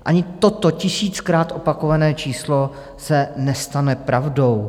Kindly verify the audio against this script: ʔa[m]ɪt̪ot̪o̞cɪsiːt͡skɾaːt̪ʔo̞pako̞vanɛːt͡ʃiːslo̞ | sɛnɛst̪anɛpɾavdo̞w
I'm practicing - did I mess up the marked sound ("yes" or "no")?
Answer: yes